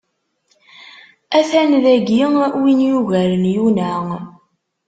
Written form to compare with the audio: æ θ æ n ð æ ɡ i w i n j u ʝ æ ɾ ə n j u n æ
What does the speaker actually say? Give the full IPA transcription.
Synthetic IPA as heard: æ θ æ n ð æ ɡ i w i n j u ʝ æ ɾ ə n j u n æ